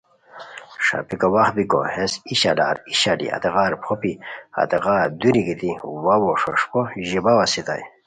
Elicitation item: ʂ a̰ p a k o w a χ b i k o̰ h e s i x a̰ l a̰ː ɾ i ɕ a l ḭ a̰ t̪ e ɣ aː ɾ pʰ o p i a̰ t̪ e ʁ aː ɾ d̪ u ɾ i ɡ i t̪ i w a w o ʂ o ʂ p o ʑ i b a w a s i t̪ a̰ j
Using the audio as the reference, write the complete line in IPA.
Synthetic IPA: ʂ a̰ p i k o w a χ b i k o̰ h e s i ɕ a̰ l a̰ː ɾ i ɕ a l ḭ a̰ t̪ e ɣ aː ɾ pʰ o p i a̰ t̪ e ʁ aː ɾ d̪ u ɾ i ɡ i t̪ i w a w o ʂ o ʂ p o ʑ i b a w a s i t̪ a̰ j